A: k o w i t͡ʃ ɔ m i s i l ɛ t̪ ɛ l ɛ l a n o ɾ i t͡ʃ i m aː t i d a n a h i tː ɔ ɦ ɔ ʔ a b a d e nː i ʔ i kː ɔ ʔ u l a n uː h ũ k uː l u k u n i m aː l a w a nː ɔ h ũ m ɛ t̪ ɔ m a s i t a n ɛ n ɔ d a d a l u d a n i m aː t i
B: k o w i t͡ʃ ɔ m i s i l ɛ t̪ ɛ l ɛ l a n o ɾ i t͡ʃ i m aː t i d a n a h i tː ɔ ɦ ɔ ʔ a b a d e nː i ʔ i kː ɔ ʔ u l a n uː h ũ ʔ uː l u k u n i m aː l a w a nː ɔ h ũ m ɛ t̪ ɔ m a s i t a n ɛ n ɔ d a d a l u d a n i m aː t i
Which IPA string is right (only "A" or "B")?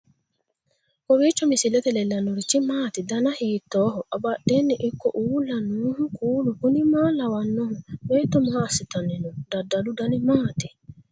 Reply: A